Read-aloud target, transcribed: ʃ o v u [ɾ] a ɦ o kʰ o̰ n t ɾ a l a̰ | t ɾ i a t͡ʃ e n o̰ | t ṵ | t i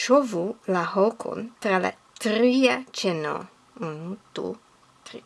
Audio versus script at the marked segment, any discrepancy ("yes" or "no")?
yes